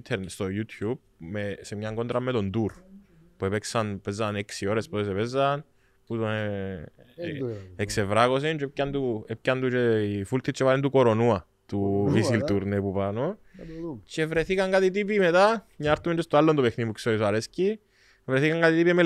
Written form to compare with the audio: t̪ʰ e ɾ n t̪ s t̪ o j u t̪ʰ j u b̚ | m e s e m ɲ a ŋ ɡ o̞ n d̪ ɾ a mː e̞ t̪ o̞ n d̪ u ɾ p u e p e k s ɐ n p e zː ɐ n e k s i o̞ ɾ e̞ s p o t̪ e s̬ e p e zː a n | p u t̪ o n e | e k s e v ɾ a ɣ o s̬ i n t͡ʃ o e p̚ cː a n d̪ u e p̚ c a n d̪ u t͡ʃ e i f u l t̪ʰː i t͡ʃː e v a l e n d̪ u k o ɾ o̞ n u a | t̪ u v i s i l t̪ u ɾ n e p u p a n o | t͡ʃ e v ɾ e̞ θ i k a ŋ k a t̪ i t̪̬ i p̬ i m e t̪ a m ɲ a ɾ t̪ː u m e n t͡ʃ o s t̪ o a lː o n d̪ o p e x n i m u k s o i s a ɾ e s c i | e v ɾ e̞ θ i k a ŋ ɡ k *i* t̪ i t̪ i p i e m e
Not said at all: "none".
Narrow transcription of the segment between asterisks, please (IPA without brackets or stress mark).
a